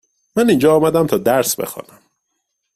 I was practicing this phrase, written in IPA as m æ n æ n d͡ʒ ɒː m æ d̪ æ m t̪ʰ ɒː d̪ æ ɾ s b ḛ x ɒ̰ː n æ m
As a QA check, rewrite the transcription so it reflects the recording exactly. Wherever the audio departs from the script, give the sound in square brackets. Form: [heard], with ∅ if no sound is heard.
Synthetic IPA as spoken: m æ n [i] n d͡ʒ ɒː m æ d̪ æ m t̪ʰ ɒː d̪ æ ɾ s b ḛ x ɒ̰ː n æ m